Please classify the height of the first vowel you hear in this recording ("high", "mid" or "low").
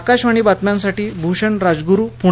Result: low